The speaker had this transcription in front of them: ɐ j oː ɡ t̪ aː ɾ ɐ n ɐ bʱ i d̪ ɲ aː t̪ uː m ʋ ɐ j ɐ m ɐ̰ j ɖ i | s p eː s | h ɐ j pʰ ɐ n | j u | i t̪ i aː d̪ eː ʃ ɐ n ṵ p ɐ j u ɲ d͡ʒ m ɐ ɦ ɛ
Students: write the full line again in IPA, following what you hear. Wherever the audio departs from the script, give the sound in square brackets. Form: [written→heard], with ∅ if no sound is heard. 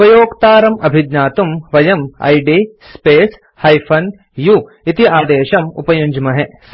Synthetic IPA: ɐ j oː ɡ t̪ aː ɾ ɐ [n→m] ɐ bʱ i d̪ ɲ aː t̪ [uː→u] m ʋ ɐ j ɐ m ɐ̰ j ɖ i | s p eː s | h ɐ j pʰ ɐ n | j u | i t̪ i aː d̪ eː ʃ ɐ [n→m] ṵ p ɐ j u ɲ d͡ʒ m ɐ ɦ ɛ